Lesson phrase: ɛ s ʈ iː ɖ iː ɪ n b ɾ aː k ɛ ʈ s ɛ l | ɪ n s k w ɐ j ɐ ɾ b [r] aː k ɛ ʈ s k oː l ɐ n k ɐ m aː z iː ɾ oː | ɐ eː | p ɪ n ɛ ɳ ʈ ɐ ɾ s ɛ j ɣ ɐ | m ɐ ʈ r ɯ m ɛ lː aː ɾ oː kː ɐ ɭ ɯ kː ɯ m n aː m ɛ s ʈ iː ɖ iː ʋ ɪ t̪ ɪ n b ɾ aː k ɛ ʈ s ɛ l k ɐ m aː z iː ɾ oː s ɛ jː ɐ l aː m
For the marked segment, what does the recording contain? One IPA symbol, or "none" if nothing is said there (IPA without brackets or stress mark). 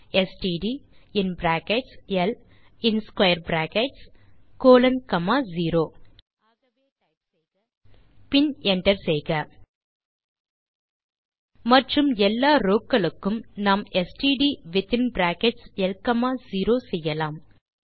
ɾ